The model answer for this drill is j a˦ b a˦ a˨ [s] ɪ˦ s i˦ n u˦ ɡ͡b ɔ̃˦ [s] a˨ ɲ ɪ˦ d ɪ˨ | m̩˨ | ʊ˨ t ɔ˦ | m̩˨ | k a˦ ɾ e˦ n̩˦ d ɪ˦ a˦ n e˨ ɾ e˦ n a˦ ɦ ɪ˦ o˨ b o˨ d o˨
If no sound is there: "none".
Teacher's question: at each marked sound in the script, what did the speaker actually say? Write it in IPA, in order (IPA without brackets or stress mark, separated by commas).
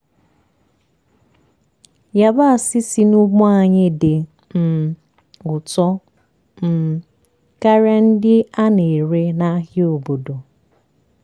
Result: s, none